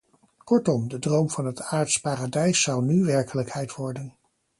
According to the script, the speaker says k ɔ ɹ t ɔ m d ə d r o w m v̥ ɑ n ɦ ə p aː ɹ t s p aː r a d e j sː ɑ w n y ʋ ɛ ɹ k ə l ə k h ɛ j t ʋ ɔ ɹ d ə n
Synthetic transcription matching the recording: k ɔ ɹ t ɔ m d ə d r o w m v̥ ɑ n ɦ ə t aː ɹ t s p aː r a d ɛ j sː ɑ w n y ʋ ɛ ɹ k ə l ə k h ɛ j t ʋ ɔ ɹ d ə n